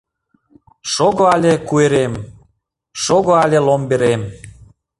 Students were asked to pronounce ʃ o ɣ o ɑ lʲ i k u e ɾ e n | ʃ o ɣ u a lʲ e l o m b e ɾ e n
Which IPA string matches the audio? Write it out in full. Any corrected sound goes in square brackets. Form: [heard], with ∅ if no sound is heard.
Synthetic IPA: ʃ o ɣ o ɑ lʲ [e] k u e ɾ e [m] | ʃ o ɣ [o] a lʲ e l o m b e ɾ e [m]